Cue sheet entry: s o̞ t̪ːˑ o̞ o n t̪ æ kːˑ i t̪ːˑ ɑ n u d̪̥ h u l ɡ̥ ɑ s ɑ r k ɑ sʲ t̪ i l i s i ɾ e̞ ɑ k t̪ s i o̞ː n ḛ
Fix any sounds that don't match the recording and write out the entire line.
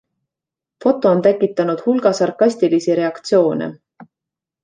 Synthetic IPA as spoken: f o̞ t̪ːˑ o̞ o n t̪ æ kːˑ i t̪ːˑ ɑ n u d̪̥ h u l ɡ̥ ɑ s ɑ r k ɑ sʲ t̪ i l i s i ɾ e̞ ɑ k t̪ s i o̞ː n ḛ